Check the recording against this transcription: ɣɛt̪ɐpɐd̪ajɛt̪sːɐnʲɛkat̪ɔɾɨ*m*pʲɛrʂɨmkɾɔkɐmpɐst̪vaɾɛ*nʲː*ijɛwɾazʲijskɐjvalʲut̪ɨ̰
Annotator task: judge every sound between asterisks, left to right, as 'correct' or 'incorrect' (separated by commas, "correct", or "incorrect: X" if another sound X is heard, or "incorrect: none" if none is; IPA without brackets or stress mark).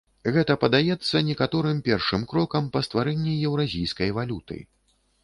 correct, correct